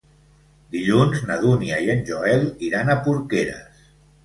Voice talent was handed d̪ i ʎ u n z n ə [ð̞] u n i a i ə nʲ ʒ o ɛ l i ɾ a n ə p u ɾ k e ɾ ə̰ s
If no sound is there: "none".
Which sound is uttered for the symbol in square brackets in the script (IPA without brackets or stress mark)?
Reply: ð̞